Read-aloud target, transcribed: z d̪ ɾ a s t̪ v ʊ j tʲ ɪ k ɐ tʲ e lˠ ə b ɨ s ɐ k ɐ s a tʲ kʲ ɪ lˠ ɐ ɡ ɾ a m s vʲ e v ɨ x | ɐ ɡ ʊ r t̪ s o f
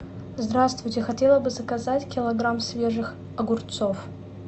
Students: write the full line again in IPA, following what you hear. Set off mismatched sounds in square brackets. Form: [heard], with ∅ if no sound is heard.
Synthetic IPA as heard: z d̪ ɾ a s t̪ v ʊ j tʲ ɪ [x] ɐ tʲ e lˠ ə b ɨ [z] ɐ k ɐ [z] a tʲ kʲ ɪ lˠ ɐ ɡ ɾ a m s vʲ e [ʐ] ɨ x | ɐ ɡ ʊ r t̪ s o f